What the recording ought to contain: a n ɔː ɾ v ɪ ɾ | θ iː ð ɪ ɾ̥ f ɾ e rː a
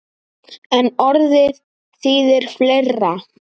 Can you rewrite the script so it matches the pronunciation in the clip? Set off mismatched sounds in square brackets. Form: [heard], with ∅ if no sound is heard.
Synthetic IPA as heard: [ɛ] n [ɔ] ɾ [ð] ɪ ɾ | θ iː ð ɪ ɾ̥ f [l] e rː a